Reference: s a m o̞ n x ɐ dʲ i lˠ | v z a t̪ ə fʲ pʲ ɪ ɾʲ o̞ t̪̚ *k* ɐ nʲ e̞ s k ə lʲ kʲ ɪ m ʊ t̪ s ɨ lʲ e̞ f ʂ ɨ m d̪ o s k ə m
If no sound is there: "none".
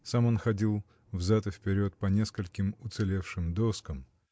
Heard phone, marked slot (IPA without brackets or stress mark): p